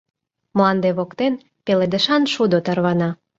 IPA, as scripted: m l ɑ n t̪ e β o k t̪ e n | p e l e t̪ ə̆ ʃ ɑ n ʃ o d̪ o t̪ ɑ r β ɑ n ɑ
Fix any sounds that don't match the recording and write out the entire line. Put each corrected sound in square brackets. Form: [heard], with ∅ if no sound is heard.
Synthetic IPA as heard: m l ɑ n [d̪] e β o k t̪ e n | p e l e [d̪] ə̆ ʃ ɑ n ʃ [u] d̪ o t̪ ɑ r β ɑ n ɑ